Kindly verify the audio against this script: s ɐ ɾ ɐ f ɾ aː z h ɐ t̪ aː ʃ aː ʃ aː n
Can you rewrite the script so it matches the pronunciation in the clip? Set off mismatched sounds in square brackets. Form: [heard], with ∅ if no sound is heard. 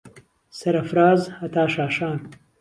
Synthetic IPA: s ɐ ɾ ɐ f ɾ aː z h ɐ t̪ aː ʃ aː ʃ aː n